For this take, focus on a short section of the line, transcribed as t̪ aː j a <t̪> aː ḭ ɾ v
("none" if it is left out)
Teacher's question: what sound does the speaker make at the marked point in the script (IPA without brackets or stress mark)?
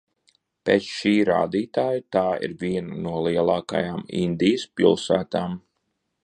t̪